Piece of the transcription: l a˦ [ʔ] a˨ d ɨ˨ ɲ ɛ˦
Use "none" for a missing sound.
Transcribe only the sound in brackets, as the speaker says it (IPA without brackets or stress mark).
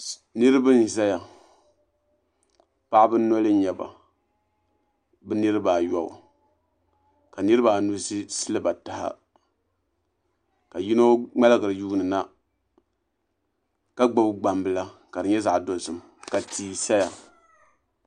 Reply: k